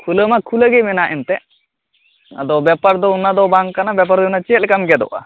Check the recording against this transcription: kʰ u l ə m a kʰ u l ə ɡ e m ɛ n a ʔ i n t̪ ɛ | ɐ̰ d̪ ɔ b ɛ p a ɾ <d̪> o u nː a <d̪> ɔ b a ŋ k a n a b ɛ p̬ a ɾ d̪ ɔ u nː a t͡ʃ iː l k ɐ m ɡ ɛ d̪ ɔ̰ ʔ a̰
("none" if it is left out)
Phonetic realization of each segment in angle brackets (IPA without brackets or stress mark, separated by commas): d̪, d̪